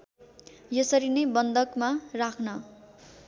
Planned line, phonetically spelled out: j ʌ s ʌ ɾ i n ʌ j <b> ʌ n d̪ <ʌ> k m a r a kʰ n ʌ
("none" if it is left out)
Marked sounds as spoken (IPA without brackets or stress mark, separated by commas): b, ʌ